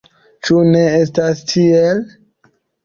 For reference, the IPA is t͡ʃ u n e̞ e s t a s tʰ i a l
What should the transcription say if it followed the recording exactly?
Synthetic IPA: t͡ʃ u n e̞ e s t a s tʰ i e l